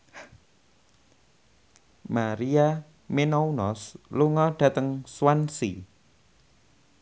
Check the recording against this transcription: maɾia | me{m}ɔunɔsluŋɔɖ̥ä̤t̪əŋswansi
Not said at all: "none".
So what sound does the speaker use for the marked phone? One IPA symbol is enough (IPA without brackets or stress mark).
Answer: n